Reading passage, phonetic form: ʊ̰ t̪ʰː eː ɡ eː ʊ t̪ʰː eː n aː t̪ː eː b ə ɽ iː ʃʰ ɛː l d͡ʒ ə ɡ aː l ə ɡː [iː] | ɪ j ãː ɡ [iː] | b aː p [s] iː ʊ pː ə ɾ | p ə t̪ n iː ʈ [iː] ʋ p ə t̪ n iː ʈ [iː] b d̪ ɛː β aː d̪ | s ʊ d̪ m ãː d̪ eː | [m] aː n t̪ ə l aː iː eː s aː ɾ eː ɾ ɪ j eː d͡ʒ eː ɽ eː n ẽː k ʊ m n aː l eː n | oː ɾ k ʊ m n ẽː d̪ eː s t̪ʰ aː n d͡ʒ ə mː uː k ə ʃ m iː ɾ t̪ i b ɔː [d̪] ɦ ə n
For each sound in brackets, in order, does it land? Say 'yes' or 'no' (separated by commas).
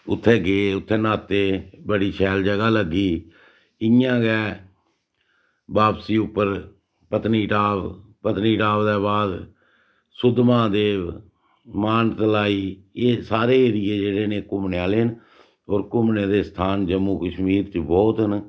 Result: yes, no, yes, no, no, yes, no